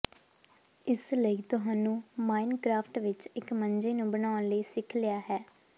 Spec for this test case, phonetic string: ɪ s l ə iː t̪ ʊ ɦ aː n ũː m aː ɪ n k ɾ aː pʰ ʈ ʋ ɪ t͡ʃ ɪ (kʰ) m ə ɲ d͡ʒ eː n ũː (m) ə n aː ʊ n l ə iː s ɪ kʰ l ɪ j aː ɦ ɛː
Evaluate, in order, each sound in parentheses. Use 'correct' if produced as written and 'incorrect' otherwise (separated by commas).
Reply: incorrect, incorrect